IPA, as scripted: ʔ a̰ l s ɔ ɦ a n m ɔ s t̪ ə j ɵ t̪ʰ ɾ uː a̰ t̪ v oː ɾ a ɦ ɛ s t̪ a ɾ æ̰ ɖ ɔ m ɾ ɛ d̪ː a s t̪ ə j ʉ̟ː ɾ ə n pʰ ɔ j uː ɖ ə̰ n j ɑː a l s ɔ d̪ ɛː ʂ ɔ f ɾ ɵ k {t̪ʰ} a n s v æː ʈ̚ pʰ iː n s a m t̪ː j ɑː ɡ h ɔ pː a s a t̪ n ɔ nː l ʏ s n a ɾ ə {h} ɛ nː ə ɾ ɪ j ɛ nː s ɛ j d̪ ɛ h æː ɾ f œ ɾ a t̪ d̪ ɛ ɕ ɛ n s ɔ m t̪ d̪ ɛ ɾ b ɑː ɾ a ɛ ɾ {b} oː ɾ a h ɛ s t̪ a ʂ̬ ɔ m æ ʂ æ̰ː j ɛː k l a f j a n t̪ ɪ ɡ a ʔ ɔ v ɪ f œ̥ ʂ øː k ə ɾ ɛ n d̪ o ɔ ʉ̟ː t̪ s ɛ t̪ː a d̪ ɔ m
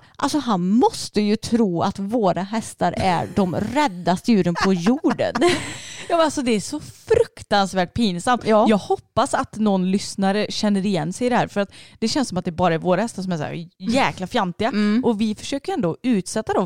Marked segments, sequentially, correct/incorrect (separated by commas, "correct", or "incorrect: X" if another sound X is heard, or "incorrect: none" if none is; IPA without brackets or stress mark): incorrect: t̪, incorrect: ɕ, incorrect: v